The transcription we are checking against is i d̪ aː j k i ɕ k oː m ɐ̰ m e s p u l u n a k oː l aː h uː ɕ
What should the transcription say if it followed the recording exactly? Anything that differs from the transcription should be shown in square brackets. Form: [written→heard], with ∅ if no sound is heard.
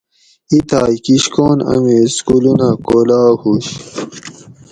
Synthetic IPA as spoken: i [d̪→t̪] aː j k i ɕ k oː [m→n] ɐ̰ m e s [p→k] u l u n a k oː l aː h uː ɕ